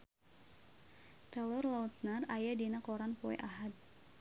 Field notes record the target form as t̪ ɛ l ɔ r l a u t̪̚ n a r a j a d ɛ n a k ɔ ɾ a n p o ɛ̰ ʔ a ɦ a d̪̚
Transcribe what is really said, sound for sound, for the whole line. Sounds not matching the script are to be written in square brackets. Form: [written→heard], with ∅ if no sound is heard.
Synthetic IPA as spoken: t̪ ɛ l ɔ r l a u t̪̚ n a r a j a d [ɛ→i] n a k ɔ ɾ a n p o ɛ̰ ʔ a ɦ a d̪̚